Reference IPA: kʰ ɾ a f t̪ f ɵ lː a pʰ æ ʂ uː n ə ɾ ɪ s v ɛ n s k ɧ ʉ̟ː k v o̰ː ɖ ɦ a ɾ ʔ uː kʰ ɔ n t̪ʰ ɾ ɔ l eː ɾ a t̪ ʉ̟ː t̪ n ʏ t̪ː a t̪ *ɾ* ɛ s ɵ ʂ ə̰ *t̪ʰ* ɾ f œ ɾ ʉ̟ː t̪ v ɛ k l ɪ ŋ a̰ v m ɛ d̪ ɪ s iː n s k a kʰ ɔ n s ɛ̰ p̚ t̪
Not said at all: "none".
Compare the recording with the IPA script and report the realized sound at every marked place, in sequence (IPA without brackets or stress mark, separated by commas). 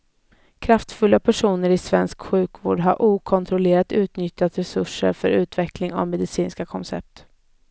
ɾ, none